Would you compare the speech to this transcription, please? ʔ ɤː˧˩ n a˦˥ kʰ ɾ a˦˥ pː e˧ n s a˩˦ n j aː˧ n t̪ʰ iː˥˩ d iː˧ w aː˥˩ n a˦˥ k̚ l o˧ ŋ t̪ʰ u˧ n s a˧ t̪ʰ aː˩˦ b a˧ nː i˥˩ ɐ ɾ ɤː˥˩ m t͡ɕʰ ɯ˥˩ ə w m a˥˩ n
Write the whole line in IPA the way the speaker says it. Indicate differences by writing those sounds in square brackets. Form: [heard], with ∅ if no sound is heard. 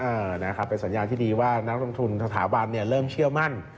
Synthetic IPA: ʔ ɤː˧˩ n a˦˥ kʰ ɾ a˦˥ pː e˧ n s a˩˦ n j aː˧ n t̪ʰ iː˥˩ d iː˧ w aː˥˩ n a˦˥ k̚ l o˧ ŋ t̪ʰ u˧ n s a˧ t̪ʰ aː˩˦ b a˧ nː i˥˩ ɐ ɾ ɤː˥˩ m t͡ɕʰ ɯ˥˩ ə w m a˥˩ n